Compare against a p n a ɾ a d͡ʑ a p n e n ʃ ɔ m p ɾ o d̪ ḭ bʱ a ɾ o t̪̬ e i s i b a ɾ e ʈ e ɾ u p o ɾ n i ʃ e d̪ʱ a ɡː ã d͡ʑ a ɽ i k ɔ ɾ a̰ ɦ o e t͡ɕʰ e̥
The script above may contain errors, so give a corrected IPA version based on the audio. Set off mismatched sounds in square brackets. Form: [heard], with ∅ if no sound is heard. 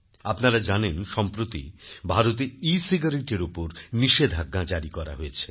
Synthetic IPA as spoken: a p n a ɾ a d͡ʑ a [∅] n e n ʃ ɔ m p ɾ o [t̪] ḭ bʱ a ɾ o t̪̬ e i s i [ɡ] a ɾ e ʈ e ɾ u p o ɾ n i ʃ e d̪ʱ a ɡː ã d͡ʑ a [ɾ] i k ɔ ɾ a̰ ɦ o e t͡ɕʰ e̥